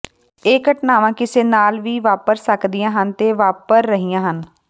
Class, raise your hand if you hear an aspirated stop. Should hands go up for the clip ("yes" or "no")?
no